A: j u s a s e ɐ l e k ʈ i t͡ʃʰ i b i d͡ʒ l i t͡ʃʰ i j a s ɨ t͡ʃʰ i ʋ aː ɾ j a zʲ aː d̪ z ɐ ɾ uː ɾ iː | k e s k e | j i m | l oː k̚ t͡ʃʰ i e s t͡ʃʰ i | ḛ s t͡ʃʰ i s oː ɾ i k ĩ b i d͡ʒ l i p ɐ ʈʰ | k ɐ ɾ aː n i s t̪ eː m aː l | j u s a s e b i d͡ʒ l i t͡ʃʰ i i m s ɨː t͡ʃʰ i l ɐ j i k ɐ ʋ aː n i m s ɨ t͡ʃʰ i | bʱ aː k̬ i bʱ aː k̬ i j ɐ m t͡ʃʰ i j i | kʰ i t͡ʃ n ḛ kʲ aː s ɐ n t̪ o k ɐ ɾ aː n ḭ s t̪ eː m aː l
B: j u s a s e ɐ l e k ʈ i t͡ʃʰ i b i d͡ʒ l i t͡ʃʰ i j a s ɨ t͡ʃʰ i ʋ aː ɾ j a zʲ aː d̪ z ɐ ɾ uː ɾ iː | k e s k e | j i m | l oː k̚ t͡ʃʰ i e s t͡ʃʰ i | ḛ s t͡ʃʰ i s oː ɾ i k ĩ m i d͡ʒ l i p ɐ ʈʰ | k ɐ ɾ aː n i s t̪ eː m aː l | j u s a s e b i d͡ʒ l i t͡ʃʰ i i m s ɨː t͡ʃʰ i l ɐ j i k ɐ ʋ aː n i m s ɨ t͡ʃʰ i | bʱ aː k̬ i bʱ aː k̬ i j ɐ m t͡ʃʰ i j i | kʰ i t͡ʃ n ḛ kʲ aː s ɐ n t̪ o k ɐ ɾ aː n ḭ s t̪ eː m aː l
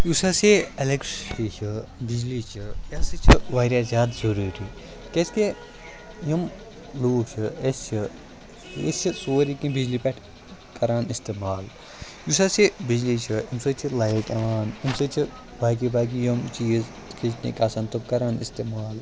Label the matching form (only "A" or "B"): A